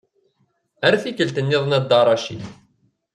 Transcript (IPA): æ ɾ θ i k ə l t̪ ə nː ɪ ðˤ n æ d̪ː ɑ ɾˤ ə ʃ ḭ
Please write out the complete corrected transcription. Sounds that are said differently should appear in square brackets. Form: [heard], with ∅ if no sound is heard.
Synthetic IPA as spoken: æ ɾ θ i k ə l t̪ ə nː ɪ ðˤ n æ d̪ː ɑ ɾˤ [ɑ] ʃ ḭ

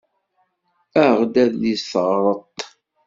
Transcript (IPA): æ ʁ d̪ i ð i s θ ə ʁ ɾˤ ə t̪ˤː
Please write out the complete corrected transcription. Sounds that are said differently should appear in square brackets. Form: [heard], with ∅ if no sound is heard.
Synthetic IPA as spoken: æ ʁ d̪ [æ] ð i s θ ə ʁ ɾˤ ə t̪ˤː

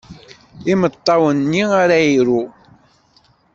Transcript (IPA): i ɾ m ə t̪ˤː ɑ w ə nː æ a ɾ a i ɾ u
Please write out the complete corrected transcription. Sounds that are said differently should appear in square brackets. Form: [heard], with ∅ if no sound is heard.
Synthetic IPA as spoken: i [∅] m ə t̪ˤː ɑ w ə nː [i] a ɾ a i ɾ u

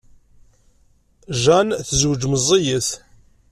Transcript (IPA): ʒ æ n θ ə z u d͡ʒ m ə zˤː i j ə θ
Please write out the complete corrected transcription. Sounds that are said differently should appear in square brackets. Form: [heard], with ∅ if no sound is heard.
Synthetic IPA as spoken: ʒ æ n θ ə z [w] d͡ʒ m ə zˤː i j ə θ

